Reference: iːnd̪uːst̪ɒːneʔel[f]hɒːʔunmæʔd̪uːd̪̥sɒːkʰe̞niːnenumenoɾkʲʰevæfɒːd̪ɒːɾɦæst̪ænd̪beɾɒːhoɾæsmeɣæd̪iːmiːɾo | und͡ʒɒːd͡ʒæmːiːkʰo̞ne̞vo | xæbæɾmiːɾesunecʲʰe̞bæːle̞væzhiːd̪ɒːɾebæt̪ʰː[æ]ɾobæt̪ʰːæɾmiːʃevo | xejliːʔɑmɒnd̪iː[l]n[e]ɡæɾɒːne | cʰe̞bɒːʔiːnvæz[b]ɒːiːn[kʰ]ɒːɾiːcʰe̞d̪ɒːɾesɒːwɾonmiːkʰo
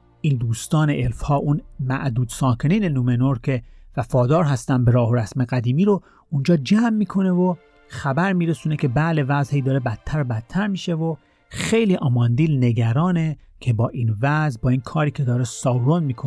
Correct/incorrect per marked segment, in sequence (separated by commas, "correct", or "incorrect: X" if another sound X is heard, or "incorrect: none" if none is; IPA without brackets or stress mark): correct, correct, correct, correct, correct, correct